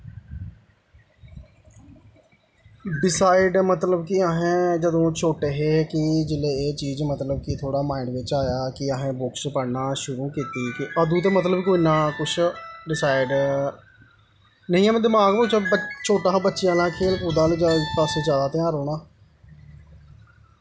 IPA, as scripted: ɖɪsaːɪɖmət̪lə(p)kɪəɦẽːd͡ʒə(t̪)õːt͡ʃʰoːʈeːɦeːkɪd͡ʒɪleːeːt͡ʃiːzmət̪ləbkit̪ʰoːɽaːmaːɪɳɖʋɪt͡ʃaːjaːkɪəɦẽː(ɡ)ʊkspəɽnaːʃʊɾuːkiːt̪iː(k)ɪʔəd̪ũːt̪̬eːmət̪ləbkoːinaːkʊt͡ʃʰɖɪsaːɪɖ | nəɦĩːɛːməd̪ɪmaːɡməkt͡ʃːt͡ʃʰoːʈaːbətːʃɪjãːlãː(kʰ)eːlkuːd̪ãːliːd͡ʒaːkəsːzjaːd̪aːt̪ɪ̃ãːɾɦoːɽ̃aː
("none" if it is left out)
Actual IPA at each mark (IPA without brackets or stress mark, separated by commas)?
b, d̪, b, k, kʰ